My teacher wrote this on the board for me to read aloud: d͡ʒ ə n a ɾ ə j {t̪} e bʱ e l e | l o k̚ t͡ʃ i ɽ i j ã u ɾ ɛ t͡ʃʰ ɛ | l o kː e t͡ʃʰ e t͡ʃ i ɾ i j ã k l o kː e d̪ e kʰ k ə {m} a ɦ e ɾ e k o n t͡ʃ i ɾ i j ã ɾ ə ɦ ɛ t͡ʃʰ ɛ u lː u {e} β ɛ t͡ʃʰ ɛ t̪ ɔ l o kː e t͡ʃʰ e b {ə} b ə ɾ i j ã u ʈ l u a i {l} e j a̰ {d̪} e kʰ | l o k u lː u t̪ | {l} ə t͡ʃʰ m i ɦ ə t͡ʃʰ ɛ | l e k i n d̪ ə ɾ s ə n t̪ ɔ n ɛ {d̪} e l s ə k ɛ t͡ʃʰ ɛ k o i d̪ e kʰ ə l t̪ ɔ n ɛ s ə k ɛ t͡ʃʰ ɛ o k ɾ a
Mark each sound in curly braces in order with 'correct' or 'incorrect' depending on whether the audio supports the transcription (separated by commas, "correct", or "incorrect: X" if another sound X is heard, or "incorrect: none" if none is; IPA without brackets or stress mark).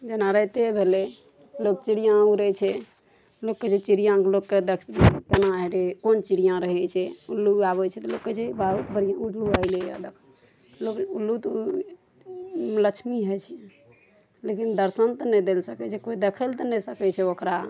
correct, incorrect: n, incorrect: a, incorrect: a, correct, correct, correct, correct